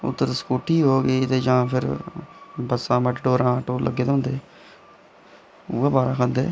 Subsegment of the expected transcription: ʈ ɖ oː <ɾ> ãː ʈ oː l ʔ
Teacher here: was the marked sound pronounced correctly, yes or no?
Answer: yes